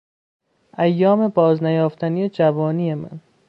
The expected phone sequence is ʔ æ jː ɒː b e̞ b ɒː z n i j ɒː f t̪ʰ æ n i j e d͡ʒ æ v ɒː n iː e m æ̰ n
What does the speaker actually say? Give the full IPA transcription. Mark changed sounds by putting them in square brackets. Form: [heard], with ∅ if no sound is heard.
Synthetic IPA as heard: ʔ æ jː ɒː [m] e̞ b ɒː z n [æ] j ɒː f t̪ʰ æ n i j e d͡ʒ æ v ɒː n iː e m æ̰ n